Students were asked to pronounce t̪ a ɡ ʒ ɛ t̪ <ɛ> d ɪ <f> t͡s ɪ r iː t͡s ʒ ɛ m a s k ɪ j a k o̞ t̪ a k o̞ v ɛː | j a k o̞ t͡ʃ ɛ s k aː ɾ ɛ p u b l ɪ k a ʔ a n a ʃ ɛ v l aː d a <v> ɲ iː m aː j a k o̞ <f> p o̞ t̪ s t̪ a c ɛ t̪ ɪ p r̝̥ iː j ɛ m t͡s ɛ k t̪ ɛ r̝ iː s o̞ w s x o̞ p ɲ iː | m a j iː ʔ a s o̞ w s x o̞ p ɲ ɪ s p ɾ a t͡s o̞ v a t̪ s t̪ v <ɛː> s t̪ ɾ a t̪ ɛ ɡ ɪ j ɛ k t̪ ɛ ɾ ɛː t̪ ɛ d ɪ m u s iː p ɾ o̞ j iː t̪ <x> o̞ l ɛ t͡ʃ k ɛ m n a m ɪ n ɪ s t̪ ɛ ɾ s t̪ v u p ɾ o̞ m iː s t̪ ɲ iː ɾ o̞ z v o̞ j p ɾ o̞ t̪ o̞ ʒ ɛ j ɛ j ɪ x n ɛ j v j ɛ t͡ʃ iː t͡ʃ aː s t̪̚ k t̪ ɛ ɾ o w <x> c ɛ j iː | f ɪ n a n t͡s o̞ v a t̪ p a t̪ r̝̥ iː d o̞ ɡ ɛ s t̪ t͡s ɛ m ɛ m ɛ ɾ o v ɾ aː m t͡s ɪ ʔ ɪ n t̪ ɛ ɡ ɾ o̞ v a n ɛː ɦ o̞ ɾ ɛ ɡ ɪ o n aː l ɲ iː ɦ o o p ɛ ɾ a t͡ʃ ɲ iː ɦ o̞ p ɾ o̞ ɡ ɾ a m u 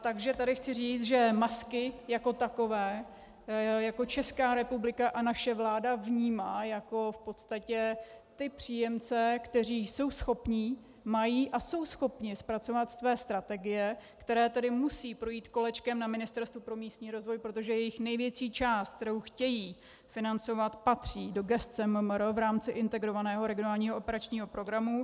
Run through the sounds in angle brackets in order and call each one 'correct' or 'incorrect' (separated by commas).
incorrect, incorrect, correct, correct, correct, incorrect, correct